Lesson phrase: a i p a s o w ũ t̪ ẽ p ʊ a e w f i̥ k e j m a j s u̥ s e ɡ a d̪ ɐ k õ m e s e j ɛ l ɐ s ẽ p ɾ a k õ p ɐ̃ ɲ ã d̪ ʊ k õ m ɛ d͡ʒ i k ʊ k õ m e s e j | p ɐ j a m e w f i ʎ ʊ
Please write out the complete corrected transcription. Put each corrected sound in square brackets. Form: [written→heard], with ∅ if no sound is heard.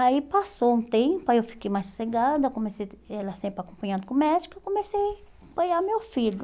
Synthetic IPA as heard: a i p a s o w ũ t̪ ẽ p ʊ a e w f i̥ k e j m a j s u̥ s e ɡ a d̪ ɐ k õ m e s e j ɛ l ɐ s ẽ p ɾ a k õ p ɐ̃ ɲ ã d̪ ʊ k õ m ɛ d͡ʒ i k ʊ k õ m e s e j | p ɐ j a m e w f i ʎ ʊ